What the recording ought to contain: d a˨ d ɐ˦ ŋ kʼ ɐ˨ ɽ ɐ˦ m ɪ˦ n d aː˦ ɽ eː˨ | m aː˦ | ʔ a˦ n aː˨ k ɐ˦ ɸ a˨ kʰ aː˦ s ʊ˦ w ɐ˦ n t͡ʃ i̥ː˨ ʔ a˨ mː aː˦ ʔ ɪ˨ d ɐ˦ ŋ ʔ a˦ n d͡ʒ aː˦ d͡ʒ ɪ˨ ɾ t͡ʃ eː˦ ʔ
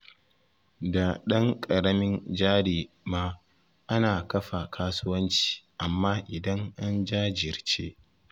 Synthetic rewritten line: d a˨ ɗ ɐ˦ ŋ kʼ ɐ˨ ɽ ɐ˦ m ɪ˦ n d͡ʒ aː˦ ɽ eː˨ | m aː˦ | ʔ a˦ n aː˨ k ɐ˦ ɸ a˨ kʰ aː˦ s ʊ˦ w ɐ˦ n t͡ʃ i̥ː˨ ʔ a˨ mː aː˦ ʔ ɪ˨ d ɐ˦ ŋ ʔ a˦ n d͡ʒ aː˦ d͡ʒ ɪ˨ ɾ t͡ʃ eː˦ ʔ

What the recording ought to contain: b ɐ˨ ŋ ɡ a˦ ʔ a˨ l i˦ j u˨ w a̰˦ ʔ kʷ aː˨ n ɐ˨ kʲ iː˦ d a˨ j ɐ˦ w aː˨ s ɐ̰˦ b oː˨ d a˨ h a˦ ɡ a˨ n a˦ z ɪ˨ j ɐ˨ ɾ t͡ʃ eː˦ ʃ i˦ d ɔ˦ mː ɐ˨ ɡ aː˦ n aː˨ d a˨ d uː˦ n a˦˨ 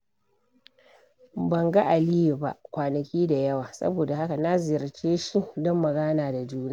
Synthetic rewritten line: b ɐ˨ ŋ ɡ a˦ ʔ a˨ l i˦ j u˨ b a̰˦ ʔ kʷ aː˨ n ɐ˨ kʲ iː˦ d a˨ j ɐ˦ w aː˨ s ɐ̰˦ b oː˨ d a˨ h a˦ k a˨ n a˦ z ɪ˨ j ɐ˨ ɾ t͡ʃ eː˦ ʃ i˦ d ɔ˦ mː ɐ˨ ɡ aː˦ n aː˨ d a˨ d͡ʒ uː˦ n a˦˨

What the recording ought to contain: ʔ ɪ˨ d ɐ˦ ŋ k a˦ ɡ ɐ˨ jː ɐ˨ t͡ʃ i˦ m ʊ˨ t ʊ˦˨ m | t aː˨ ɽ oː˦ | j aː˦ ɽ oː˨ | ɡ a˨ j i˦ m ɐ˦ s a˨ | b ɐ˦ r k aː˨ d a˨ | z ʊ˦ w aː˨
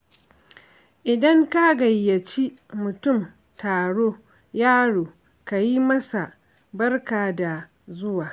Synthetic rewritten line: ʔ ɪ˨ d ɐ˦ ŋ k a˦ ɡ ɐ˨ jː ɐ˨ t͡ʃ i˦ m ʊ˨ t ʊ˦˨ m | t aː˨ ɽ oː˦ | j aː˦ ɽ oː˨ | k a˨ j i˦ m ɐ˦ s a˨ | b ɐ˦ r k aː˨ d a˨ | z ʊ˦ w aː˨

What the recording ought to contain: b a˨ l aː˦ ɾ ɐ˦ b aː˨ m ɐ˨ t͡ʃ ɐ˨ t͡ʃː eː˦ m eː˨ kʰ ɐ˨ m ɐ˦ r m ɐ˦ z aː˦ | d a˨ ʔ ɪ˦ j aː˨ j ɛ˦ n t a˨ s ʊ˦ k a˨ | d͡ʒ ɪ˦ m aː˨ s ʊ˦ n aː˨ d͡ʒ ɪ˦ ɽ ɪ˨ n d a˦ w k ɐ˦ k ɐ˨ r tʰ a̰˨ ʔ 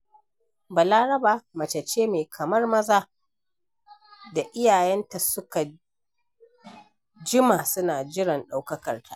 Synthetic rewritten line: b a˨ l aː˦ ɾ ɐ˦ b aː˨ m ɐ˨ t͡ʃ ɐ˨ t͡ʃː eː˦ m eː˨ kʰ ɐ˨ m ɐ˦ r m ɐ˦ z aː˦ | d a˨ ʔ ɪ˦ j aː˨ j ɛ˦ n t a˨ s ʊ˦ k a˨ | d͡ʒ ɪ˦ m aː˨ s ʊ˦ n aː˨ d͡ʒ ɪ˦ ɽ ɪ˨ n ɗ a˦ w k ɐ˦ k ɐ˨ r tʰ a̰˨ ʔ

